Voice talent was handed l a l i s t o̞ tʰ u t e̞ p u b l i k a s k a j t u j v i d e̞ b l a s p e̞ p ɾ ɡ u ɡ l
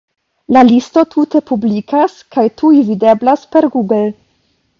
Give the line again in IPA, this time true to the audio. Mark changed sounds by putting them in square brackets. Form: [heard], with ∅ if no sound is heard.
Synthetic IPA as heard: l a l i s t o̞ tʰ u t e̞ p u b l i k a s k a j t u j v i d e̞ b l a s p e̞ [∅] ɾ ɡ u ɡ l